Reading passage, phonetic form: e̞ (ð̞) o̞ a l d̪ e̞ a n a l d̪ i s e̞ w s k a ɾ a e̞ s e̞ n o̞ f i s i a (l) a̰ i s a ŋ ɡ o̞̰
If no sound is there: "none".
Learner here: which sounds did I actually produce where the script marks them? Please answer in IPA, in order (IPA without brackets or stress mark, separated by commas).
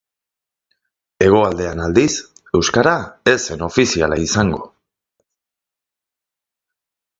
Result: ɣ̞, l